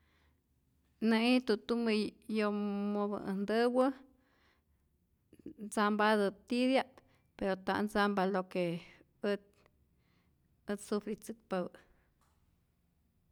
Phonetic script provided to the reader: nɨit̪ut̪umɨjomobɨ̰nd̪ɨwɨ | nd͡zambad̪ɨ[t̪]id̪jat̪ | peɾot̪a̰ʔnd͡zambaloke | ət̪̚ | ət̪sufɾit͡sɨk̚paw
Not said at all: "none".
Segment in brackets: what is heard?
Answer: t̪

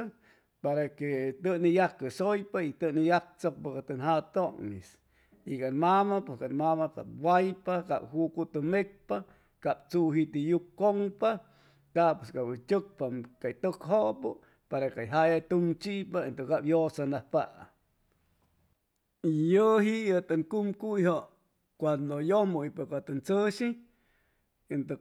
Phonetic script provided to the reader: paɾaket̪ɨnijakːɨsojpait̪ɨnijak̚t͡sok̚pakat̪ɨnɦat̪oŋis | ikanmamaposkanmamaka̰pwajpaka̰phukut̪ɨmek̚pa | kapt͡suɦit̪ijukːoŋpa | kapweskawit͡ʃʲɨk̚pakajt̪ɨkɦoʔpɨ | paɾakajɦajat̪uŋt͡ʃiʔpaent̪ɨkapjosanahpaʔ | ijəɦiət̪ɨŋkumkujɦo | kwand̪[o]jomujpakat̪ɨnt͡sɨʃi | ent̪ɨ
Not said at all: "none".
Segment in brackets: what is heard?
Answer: o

